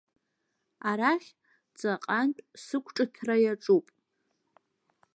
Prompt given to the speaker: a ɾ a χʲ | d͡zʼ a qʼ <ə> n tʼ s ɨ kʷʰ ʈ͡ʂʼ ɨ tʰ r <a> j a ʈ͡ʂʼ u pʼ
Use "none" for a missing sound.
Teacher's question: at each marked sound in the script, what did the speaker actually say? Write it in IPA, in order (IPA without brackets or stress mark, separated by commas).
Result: a, a